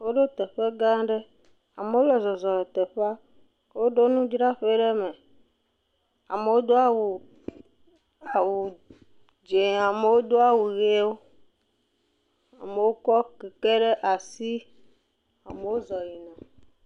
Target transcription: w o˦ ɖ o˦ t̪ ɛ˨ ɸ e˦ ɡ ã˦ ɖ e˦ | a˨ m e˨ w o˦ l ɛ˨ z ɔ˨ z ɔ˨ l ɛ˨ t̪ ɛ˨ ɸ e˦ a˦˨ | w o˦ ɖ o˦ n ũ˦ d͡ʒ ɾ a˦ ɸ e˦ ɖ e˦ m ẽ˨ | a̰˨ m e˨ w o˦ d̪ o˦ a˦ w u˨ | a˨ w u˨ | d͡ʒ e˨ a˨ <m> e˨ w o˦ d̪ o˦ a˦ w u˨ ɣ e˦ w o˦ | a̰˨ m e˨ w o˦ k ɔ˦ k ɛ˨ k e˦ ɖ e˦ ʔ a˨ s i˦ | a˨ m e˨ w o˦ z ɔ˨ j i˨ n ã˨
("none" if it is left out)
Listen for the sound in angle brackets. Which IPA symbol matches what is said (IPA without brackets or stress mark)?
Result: m